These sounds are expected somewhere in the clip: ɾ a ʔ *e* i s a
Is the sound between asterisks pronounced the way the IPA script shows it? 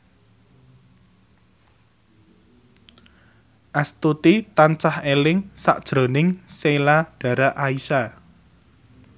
no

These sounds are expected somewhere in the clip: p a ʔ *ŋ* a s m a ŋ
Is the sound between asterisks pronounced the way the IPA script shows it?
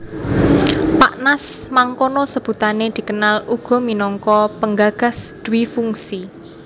no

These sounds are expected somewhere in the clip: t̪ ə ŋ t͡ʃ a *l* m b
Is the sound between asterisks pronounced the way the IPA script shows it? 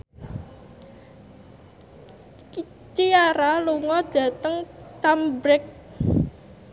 no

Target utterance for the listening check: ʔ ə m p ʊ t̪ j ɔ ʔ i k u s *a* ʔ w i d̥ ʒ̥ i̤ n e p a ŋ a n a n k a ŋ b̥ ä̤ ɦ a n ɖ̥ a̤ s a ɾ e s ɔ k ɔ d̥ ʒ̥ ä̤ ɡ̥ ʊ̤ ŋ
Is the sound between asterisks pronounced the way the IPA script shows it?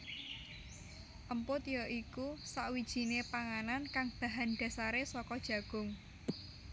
yes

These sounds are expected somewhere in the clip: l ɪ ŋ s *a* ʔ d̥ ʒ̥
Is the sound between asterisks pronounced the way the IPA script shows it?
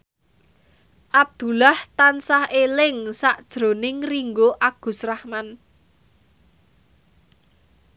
yes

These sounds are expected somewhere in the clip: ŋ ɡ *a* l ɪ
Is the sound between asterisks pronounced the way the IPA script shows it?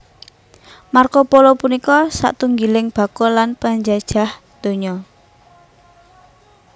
no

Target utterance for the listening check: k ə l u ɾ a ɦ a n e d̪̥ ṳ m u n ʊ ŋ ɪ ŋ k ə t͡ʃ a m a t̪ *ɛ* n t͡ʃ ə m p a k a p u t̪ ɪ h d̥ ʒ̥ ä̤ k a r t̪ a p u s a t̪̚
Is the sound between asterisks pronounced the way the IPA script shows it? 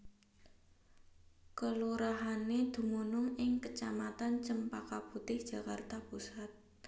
no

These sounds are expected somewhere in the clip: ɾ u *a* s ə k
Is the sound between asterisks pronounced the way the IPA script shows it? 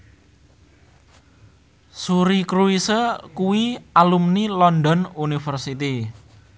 no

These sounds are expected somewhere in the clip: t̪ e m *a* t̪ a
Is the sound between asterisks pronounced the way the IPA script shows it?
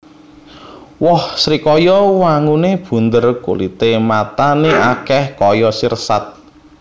yes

